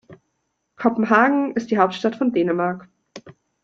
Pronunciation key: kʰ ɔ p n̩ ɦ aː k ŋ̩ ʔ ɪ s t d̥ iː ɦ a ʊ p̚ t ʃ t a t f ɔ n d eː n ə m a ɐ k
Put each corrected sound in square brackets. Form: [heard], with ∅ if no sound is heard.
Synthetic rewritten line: kʰ ɔ p [m̩] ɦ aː [ɡ] ŋ̩ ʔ ɪ s t d̥ iː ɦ a ʊ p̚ t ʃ t a t f ɔ n d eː n ə m a ɐ k